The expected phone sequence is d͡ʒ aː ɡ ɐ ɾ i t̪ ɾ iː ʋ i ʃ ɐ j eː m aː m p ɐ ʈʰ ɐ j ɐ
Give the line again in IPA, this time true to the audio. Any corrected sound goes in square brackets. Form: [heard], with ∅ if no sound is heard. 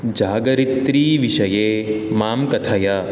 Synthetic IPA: d͡ʒ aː ɡ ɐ ɾ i t̪ ɾ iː ʋ i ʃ ɐ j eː m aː m [k] ɐ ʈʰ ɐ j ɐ